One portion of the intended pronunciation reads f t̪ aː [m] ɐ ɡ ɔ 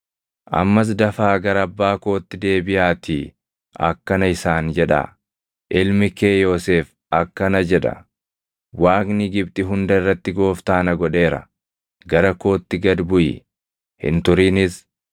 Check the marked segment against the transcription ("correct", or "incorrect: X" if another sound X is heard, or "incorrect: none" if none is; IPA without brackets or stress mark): incorrect: n